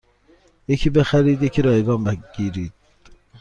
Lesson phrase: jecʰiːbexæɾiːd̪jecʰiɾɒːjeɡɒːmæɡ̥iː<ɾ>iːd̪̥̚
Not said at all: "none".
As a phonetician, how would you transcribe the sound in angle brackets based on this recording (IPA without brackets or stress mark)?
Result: ɾ